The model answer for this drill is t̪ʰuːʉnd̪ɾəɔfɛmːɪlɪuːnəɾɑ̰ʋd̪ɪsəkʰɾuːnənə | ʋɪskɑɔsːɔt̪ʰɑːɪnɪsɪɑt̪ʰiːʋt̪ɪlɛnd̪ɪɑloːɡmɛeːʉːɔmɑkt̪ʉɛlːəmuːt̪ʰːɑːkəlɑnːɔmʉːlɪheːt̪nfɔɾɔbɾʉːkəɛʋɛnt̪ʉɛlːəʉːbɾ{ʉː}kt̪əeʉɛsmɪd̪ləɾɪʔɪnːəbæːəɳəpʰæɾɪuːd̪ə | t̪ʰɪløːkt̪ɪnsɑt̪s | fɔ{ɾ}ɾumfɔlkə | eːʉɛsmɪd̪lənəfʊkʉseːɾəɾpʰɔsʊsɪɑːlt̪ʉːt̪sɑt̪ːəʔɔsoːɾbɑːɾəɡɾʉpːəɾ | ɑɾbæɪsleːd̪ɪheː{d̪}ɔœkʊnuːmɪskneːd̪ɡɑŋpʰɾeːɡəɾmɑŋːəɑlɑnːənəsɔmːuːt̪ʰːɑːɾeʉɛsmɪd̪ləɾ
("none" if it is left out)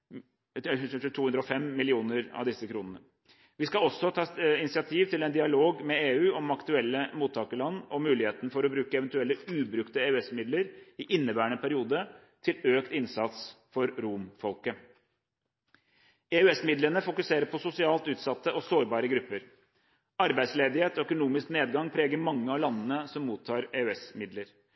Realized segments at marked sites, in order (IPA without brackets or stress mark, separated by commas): ʉ, ɾ, t̪